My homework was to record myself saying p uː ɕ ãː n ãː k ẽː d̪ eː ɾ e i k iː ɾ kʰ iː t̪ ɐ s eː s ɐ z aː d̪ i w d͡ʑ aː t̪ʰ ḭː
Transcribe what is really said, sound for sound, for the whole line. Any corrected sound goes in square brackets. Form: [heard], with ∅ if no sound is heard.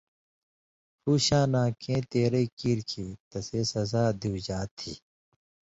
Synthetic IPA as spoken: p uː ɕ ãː n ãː k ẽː [t̪] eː ɾ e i k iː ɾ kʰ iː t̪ ɐ s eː s ɐ z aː d̪ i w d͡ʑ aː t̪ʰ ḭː